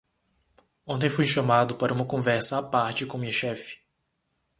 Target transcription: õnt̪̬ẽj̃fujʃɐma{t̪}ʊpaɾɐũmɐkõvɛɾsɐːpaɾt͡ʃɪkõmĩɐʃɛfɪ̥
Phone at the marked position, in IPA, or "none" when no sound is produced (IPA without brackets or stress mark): d̪